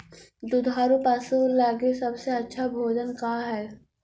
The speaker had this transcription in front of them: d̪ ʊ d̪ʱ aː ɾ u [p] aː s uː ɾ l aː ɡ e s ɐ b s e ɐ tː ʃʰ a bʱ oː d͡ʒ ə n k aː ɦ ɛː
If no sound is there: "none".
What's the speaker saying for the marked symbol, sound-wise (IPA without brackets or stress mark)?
p